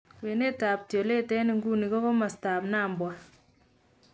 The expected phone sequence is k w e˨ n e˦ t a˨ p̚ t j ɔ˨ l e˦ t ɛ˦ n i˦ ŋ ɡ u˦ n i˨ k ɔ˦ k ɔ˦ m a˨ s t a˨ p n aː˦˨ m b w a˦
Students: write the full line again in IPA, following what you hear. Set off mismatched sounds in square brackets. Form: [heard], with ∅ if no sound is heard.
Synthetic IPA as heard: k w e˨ n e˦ t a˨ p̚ t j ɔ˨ l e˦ t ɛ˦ n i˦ ŋ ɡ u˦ n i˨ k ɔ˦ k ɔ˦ m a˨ s t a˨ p n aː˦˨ m b w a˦